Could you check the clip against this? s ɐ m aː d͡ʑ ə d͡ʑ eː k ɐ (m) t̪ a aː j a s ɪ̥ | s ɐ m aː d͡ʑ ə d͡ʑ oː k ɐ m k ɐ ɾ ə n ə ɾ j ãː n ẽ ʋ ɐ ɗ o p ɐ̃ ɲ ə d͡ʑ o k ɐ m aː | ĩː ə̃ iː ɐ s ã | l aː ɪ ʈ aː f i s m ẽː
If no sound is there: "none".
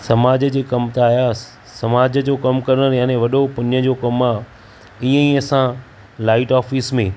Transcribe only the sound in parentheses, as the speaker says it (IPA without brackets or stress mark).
m